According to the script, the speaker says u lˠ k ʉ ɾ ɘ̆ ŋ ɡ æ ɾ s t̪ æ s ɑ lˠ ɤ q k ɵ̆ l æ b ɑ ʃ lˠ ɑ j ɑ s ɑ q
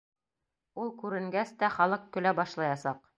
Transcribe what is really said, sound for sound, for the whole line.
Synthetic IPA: u lˠ k ʉ ɾ ɘ̆ ŋ ɡ æ s t̪ æ χ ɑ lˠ ɤ q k ɵ̆ l æ b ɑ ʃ lˠ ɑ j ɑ s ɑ q